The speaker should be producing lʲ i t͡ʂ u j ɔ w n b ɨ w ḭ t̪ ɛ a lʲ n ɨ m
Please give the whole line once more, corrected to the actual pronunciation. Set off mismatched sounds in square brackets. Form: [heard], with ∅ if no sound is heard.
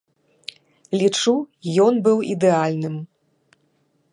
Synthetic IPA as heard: lʲ i t͡ʂ u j ɔ [∅] n b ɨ w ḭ [d̪] ɛ a lʲ n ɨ m

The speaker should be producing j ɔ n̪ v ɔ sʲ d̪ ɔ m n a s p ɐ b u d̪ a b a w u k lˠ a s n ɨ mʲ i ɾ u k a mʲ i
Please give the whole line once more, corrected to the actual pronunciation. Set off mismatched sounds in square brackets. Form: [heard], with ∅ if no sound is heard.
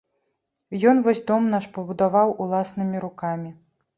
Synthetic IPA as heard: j ɔ n̪ v ɔ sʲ d̪ ɔ m n a [ʂ] p ɐ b u d̪ a [v] a w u [∅] lˠ a s n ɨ mʲ i ɾ u k a mʲ i

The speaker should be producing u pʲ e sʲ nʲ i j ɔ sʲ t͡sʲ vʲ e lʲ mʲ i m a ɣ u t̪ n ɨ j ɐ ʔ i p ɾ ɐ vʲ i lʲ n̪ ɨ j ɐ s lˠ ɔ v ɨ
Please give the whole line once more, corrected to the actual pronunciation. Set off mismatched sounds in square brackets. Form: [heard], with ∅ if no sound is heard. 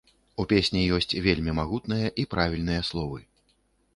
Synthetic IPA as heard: u pʲ e sʲ nʲ i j ɔ sʲ t͡sʲ vʲ e lʲ mʲ i m a ɣ u t̪ n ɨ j ɐ ʔ i p ɾ [a] vʲ i lʲ n̪ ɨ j ɐ s lˠ ɔ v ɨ

